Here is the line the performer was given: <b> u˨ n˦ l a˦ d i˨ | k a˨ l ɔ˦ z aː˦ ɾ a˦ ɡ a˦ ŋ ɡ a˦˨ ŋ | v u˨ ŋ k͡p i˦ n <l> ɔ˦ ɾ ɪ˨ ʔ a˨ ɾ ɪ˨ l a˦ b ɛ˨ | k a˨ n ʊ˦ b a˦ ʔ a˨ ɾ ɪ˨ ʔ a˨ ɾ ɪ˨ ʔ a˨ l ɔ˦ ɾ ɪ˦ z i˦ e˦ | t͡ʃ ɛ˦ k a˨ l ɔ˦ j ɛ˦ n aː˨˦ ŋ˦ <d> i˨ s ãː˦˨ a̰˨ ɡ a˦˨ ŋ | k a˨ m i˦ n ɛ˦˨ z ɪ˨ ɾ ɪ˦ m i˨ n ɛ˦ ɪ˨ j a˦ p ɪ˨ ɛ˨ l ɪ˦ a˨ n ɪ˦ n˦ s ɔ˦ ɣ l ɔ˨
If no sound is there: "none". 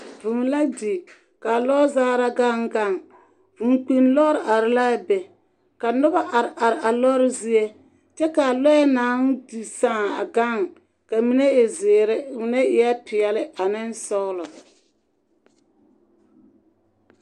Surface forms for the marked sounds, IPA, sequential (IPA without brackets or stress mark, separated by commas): v, l, d